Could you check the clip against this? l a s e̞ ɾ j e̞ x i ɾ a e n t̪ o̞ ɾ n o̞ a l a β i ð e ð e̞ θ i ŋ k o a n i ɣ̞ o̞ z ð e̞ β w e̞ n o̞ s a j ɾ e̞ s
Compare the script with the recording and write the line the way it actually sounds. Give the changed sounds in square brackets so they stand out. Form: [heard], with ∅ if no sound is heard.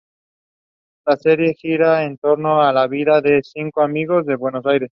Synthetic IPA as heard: l a s e̞ ɾ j e̞ x i ɾ a e n t̪ o̞ ɾ n o̞ a l a β i ð [a] ð e̞ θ i ŋ k o a [m] i ɣ̞ o̞ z ð e̞ β w e̞ n o̞ s a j ɾ e̞ s

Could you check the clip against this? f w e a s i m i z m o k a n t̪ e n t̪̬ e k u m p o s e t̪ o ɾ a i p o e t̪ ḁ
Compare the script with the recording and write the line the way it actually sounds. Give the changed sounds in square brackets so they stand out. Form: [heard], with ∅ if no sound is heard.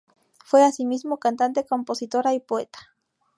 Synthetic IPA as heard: f w e a s i m i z m o k a n t̪ [a] n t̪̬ e k [o] m p o s [i] t̪ o ɾ a i p o e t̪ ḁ

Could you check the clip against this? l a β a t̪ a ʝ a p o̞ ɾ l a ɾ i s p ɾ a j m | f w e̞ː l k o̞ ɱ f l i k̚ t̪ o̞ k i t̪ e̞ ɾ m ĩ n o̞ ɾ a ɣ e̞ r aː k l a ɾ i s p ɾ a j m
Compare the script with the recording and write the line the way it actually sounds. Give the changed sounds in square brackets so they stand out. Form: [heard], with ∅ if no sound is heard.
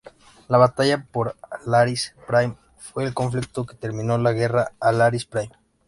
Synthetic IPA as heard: l a β a t̪ a ʝ a p o̞ ɾ l a ɾ i s p ɾ a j m | f w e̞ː l k o̞ ɱ f l i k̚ t̪ o̞ k [e] t̪ e̞ ɾ m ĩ n o̞ [l] a ɣ e̞ r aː [∅] l a ɾ i s p ɾ a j m

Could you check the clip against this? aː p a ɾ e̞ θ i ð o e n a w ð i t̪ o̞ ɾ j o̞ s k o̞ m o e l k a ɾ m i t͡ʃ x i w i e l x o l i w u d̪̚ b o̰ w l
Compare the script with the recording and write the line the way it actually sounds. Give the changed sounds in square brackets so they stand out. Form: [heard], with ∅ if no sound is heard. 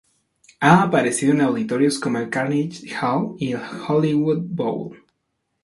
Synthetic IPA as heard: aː p a ɾ e̞ [s] i ð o e n a w ð i t̪ o̞ ɾ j o̞ s k o̞ m o e l k a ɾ [n] i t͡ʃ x [a] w i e l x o l i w u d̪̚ b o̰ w l

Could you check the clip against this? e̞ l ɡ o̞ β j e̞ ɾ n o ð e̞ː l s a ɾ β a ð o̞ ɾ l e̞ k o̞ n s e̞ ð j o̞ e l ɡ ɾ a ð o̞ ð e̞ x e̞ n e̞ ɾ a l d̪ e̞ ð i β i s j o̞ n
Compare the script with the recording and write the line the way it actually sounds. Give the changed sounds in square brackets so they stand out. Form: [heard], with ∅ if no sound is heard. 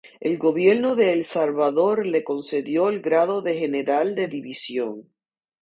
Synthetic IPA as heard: e̞ l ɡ o̞ β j e̞ ɾ n o ð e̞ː l s a [l] β a ð o̞ ɾ l e̞ k o̞ n s e̞ ð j o̞ e l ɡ ɾ a ð o̞ ð e̞ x e̞ n e̞ ɾ a l d̪ e̞ ð i β i s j o̞ [ŋ]

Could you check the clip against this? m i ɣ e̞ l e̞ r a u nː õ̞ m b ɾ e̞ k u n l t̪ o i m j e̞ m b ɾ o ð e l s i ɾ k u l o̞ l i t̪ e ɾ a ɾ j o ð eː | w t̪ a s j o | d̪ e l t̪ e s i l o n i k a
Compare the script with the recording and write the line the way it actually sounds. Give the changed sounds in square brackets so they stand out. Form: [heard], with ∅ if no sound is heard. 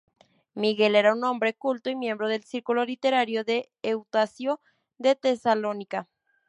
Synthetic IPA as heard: m i ɣ e̞ l e̞ [ɾ] a u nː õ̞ m b ɾ e̞ k u [∅] l t̪ o i m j e̞ m b ɾ o ð e l s i ɾ k u l o̞ l i t̪ e ɾ a ɾ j o ð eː | w t̪ a s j o | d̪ e [∅] t̪ e s [a] l o n i k a

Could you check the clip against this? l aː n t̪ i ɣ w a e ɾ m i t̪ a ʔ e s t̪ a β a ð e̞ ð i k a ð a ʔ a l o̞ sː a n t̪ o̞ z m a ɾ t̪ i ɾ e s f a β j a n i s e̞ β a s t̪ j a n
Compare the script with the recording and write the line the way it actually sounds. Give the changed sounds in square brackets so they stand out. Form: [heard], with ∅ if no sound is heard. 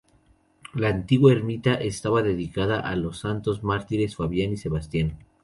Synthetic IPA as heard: l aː n t̪ i ɣ w a e ɾ m i t̪ a ʔ e s t̪ a β a ð e̞ ð i k a ð a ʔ a l o̞ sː a n t̪ o̞ z m a ɾ t̪ i ɾ e s f a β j a n i s e̞ β a s t̪ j a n

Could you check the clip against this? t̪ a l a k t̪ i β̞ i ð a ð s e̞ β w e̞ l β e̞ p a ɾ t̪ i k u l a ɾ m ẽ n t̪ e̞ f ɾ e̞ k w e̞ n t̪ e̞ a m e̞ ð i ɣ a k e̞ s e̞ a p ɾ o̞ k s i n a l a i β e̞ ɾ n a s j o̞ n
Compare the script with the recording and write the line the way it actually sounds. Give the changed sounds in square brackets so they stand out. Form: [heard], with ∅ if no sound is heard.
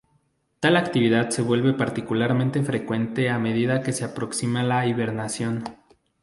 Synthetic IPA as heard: t̪ a l a k t̪ i β̞ i ð a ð s e̞ β w e̞ l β e̞ p a ɾ t̪ i k u l a ɾ m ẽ n t̪ e̞ f ɾ e̞ k w e̞ n t̪ e̞ a m e̞ ð i [ð] a k e̞ s e̞ a p ɾ o̞ k s i [m] a l a i β e̞ ɾ n a s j o̞ n

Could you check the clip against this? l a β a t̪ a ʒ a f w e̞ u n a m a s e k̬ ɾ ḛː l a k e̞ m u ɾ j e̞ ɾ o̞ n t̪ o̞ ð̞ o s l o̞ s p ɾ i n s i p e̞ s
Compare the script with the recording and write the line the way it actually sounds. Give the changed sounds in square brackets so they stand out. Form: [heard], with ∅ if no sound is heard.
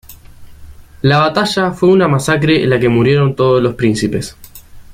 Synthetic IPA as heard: l a β a t̪ a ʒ a f w e̞ u n a m a s [a] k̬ ɾ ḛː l a k e̞ m u ɾ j e̞ ɾ o̞ n t̪ o̞ ð̞ o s l o̞ s p ɾ i n s i p e̞ s

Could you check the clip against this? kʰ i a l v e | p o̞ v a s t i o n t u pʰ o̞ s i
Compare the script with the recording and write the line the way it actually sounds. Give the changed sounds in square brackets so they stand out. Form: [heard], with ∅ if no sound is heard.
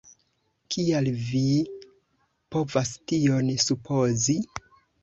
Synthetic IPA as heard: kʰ i a l v [i] | p o̞ v a s t i o n [s] u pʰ o̞ [z] i

